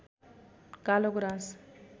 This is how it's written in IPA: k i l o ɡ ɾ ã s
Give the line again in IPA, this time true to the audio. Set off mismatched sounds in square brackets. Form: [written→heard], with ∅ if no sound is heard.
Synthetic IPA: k [i→a] l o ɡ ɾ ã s